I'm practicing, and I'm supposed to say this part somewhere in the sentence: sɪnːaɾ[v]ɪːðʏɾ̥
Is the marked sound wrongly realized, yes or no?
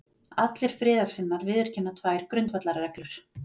no